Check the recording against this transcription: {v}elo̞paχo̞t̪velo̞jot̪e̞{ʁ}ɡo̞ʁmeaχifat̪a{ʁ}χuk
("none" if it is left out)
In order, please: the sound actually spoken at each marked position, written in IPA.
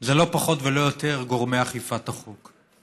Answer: z, ʁ, none

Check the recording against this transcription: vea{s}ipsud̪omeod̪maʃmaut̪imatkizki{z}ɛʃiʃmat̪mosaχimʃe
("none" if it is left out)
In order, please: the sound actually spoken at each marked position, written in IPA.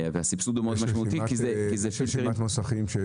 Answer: s, z

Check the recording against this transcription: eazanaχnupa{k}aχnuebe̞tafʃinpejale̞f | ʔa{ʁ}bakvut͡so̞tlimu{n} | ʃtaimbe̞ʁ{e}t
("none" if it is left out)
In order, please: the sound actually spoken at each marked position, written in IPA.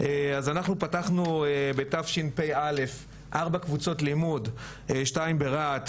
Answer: t, ʁ, d, a

